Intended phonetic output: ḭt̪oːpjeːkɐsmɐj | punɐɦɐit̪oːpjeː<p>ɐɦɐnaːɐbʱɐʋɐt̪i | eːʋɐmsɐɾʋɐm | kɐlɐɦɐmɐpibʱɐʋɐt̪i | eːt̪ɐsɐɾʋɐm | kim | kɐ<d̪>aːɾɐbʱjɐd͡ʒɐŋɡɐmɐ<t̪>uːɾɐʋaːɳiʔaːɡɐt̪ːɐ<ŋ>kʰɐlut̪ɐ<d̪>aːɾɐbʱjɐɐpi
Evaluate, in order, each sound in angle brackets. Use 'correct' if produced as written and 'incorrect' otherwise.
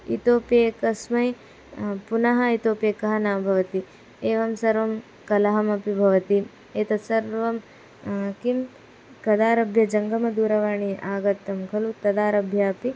incorrect: k, correct, incorrect: d̪, incorrect: m, correct

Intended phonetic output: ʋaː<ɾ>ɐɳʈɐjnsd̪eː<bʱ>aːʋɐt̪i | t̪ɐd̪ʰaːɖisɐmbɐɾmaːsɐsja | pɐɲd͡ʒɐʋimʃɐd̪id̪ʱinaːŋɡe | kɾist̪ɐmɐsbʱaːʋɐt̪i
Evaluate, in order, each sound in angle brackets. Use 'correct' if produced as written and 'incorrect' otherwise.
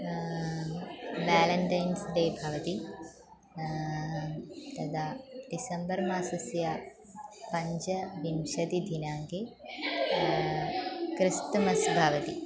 incorrect: l, correct

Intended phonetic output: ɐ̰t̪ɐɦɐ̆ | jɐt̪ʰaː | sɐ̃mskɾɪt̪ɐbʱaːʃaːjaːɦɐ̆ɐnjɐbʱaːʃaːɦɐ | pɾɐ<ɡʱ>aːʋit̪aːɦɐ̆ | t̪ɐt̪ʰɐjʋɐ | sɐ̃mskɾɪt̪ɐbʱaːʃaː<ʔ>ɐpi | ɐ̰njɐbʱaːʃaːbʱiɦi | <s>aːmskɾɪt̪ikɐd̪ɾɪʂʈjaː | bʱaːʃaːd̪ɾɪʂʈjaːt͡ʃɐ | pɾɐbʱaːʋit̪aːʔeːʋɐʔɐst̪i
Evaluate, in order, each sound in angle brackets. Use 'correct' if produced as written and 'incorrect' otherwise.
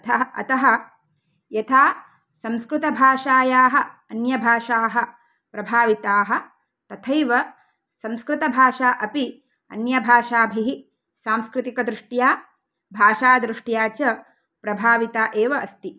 incorrect: bʱ, correct, correct

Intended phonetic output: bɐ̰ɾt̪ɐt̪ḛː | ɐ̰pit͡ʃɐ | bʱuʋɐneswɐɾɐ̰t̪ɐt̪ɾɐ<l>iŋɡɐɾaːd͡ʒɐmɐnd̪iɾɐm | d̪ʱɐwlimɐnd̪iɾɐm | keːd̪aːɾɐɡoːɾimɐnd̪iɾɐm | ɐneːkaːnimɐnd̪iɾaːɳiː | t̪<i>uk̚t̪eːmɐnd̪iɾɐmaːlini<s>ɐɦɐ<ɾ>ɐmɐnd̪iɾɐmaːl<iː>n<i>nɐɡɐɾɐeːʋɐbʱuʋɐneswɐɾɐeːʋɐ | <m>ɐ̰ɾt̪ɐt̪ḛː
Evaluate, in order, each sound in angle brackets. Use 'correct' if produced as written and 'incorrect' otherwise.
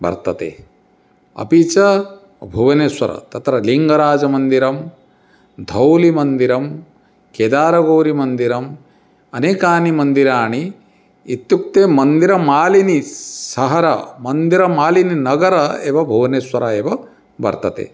correct, incorrect: j, correct, correct, incorrect: i, correct, incorrect: b

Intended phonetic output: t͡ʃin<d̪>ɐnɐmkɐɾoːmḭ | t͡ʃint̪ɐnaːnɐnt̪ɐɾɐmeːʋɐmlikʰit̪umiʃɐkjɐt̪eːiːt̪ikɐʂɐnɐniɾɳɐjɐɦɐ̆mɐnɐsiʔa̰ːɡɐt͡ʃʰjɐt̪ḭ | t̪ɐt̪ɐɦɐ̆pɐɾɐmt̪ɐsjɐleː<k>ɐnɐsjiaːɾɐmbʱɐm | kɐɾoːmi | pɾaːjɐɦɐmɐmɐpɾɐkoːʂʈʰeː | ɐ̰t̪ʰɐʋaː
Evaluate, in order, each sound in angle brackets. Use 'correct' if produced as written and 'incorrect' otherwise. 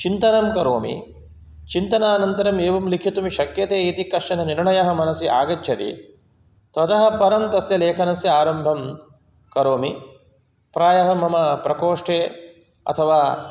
incorrect: t̪, incorrect: kʰ

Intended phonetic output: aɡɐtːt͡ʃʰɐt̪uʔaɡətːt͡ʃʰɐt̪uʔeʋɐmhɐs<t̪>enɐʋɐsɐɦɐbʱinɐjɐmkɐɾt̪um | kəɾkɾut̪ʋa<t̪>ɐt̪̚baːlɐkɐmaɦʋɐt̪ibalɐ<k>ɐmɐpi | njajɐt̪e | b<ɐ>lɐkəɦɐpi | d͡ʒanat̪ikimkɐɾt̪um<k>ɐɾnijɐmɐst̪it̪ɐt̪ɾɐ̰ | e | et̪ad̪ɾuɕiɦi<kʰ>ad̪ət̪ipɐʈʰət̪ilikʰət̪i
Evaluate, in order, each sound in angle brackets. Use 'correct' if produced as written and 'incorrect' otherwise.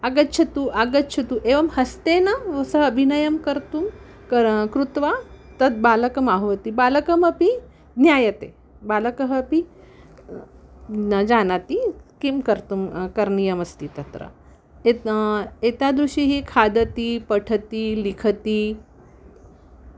correct, correct, correct, incorrect: a, correct, correct

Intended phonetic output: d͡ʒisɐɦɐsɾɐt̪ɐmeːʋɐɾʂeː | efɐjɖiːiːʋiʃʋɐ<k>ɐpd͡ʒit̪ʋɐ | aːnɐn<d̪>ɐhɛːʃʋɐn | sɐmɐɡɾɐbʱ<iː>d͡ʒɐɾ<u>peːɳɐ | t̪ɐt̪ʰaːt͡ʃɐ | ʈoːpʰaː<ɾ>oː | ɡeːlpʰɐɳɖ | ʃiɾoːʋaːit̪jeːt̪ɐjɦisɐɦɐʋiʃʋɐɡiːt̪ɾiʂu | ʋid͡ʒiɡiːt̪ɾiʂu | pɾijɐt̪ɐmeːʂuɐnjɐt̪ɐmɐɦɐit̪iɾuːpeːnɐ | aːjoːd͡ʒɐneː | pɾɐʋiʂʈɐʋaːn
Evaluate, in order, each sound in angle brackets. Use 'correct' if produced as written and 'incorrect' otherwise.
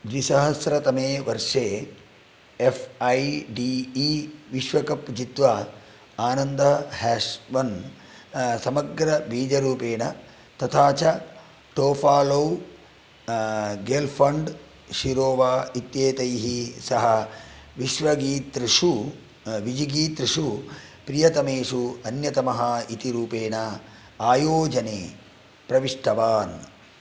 correct, correct, correct, incorrect: uː, incorrect: l

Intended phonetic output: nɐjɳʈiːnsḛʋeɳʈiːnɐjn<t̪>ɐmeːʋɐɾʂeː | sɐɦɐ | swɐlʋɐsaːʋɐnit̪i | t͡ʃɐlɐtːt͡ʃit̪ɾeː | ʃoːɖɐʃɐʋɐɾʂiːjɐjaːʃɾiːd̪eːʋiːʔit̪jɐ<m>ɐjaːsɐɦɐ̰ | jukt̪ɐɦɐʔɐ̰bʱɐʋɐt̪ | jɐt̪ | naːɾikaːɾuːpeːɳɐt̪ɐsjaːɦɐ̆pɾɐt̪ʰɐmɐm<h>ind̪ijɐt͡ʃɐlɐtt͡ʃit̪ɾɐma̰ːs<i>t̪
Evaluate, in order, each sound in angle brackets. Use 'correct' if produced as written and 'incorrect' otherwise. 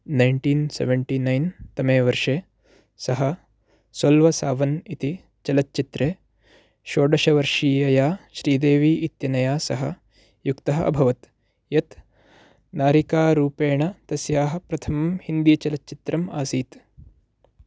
correct, incorrect: n, correct, incorrect: iː

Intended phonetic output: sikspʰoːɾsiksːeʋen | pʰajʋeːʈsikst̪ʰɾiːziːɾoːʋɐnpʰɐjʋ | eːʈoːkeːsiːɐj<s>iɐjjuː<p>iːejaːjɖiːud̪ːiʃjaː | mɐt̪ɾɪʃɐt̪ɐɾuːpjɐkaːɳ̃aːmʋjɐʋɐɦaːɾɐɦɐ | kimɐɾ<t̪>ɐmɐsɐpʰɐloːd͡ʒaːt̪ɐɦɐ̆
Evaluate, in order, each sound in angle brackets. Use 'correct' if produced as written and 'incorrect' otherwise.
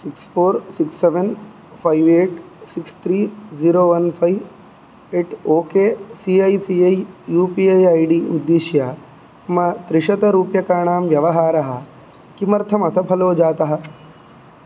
correct, correct, incorrect: t̪ʰ

